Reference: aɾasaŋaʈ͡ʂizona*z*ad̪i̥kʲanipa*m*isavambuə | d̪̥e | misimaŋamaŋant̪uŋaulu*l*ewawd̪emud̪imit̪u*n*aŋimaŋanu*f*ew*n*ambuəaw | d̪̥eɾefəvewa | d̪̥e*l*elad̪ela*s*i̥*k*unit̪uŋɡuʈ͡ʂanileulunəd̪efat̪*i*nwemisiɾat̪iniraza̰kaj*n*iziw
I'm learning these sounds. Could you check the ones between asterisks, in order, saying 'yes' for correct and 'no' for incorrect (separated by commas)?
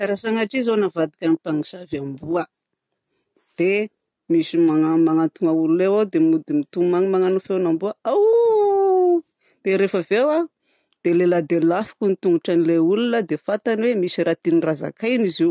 no, no, yes, no, yes, yes, yes, no, yes, no, yes